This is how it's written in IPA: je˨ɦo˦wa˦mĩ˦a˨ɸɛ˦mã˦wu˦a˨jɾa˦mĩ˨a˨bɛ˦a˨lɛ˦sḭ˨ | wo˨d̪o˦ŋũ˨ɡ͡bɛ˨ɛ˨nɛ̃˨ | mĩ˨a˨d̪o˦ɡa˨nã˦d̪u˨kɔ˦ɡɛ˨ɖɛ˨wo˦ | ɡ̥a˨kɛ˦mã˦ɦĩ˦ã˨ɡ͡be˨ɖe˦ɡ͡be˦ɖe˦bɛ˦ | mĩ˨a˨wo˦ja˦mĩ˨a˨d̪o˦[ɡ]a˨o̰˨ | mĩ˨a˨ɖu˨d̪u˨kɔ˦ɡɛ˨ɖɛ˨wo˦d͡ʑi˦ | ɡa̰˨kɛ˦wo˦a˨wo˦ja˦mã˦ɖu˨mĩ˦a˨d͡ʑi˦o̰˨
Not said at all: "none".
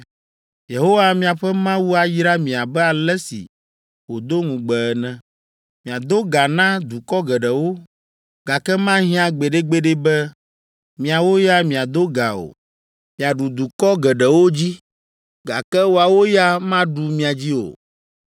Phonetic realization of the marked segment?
ɡ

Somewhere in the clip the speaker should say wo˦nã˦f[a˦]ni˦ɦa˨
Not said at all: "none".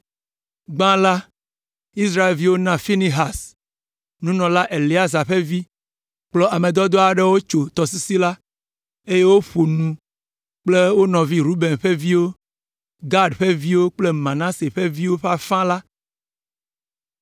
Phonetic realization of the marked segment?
i˦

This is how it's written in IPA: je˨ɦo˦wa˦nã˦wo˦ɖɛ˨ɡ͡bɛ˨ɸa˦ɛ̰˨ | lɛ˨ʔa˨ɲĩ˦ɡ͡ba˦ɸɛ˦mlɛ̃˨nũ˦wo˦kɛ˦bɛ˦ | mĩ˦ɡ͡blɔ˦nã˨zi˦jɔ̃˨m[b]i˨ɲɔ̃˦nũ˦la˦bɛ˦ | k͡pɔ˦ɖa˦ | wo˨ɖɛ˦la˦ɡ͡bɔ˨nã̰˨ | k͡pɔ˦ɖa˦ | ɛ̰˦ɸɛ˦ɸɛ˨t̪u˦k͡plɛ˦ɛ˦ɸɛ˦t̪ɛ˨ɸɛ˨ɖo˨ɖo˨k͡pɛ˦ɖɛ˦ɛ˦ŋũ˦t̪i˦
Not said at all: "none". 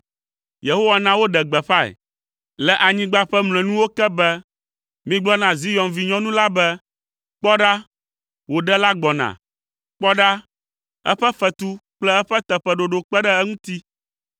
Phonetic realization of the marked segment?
v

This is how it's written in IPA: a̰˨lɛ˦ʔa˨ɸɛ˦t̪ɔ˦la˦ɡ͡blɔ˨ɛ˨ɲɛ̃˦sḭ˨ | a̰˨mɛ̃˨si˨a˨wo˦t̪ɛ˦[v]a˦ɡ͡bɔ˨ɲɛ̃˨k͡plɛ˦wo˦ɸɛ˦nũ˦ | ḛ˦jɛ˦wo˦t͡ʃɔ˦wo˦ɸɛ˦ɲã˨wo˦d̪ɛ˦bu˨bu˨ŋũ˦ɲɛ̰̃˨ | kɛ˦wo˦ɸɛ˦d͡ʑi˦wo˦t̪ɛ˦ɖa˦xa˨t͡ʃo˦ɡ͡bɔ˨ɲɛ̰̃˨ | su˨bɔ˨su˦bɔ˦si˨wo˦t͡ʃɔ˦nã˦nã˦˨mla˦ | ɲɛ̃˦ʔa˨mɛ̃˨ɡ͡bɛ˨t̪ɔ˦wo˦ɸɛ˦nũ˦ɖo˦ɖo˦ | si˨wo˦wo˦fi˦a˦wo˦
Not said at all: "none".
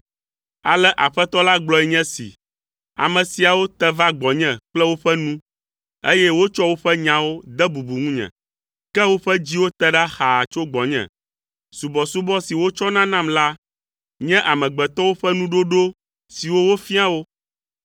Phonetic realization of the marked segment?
v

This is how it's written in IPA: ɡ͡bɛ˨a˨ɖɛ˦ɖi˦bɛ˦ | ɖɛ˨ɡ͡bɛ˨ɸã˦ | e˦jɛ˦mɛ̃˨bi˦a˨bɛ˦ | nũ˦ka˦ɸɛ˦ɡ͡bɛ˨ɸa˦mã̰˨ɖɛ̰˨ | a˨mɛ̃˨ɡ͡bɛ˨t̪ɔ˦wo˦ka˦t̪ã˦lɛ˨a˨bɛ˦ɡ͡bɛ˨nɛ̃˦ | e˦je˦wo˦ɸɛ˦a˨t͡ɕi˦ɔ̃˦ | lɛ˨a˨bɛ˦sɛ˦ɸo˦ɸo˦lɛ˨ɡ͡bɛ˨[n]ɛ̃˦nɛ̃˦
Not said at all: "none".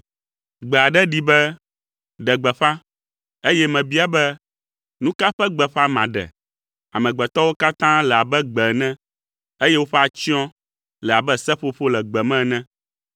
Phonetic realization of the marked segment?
m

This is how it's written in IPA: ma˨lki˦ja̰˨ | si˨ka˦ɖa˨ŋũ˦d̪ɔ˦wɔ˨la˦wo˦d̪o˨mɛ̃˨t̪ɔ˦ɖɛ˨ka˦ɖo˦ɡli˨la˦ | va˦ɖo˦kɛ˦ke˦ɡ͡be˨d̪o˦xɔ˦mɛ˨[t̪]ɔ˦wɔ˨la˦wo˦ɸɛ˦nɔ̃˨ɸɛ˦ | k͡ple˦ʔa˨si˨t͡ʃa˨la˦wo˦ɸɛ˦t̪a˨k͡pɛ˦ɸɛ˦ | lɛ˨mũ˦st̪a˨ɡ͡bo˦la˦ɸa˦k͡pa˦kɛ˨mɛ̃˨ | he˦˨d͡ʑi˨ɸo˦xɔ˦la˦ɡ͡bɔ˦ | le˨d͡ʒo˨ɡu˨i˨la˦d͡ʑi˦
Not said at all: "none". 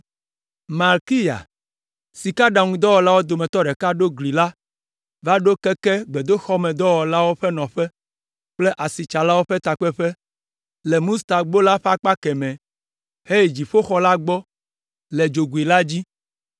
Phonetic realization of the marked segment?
d̪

